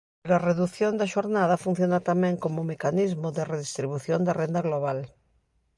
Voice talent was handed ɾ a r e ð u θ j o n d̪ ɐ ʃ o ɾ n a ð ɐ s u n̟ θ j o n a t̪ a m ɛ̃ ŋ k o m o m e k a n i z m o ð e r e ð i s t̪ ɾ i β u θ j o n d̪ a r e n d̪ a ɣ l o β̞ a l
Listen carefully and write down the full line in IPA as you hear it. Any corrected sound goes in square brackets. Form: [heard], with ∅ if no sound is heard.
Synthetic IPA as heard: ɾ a r e ð u θ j o n d̪ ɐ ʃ o ɾ n a ð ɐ [f] u n̟ θ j o n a t̪ a m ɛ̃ ŋ k o m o m e k a n i z m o ð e r e ð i s t̪ ɾ i β u θ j o n d̪ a r e n d̪ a ɣ l o β̞ a l